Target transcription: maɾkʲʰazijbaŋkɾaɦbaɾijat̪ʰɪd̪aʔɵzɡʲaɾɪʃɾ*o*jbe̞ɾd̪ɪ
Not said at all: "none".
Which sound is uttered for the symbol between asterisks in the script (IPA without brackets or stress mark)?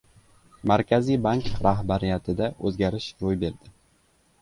o